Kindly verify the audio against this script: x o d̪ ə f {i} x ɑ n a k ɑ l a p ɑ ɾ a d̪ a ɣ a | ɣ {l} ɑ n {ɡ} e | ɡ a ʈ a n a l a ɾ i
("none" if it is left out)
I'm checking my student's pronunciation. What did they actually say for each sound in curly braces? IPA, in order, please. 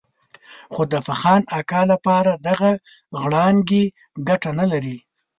a, ɽ, ɡ

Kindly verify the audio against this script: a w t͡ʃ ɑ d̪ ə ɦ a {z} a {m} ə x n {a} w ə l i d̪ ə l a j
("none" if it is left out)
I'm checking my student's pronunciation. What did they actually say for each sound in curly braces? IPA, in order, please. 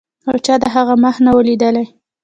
ɣ, m, a

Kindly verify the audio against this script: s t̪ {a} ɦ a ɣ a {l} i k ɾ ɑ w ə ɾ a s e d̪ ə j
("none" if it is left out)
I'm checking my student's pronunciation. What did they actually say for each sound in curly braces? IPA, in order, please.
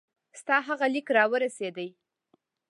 ɑ, l

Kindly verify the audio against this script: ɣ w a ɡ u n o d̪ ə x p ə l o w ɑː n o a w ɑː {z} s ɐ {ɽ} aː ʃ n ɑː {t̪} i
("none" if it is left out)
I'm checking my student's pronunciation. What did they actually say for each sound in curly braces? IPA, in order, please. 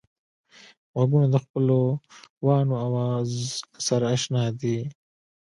z, ɾ, d̪

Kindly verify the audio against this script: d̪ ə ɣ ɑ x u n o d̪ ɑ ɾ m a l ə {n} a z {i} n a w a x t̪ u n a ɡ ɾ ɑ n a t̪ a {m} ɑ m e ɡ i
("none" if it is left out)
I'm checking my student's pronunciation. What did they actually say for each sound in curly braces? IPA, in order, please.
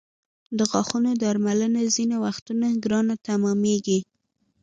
n, i, m

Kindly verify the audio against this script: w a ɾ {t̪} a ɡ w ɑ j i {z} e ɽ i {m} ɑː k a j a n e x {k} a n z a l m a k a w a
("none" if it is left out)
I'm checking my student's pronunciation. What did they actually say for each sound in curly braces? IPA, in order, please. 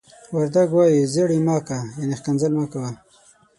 d̪, z, m, k

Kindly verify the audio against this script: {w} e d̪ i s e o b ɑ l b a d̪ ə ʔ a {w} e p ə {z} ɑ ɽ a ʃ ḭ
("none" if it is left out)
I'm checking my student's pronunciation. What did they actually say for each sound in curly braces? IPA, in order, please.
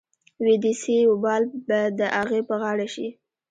w, ɣ, ɣ

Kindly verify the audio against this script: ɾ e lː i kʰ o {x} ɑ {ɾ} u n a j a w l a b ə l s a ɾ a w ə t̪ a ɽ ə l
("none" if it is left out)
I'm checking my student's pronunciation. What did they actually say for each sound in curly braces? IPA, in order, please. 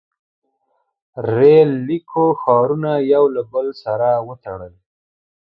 x, ɾ

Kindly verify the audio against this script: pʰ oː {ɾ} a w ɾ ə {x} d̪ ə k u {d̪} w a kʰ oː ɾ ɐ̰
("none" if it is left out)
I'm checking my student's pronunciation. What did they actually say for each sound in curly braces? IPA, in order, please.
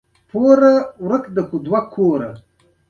ɾ, k, d̪

